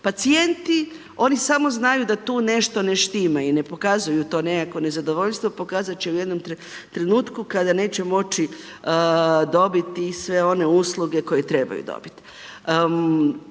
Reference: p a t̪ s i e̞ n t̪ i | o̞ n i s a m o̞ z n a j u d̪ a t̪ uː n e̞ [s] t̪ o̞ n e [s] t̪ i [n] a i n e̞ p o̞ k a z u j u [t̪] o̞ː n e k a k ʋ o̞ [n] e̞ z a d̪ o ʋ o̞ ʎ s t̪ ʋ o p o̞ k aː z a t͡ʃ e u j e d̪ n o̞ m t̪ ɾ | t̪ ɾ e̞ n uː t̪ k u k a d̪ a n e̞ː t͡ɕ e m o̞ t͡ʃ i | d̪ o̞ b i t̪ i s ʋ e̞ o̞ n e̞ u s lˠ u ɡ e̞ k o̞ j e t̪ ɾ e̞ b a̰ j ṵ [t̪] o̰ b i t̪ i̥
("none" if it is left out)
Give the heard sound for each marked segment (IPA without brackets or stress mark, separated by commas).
ʃ, ʃ, m, t̪, n, d̪